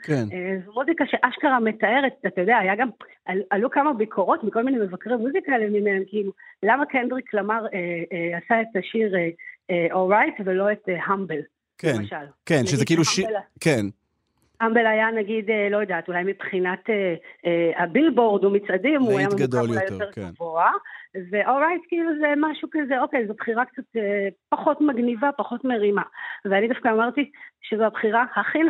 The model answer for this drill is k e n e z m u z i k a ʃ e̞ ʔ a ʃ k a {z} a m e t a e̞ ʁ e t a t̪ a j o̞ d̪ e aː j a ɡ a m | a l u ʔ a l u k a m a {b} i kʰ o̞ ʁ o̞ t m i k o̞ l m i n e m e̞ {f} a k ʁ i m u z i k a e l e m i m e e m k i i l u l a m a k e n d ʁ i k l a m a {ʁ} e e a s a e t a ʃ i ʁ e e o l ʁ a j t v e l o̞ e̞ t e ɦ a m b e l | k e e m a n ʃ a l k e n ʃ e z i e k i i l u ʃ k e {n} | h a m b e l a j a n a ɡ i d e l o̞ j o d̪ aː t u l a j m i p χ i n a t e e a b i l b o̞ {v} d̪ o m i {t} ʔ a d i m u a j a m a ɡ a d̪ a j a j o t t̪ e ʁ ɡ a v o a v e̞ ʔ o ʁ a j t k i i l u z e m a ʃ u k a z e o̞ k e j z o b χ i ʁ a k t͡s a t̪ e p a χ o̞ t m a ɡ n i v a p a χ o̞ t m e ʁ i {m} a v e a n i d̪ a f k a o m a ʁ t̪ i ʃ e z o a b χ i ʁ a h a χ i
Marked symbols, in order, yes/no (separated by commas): no, yes, no, yes, yes, no, no, yes